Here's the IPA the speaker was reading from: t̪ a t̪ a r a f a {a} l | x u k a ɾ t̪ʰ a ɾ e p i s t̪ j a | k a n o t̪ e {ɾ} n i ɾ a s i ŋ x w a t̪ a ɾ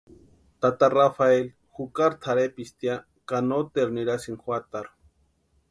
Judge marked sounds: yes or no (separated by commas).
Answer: no, yes